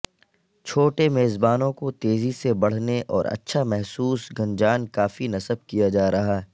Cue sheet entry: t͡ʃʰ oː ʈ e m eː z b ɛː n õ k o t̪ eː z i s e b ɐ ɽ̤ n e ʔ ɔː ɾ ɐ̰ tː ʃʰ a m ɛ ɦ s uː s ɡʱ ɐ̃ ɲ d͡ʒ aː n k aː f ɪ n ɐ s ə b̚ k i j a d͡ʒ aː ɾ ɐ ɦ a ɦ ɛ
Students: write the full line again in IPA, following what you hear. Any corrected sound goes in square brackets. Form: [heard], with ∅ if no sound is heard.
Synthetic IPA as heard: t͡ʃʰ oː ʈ e m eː z b [aː] n õ k o t̪ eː z i s e b ɐ ɽ̤ n e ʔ ɔː ɾ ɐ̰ tː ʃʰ a m ɛ ɦ s uː s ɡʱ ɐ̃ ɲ d͡ʒ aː n k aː f [i] n ɐ s ə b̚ k i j a d͡ʒ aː ɾ ɐ ɦ a ɦ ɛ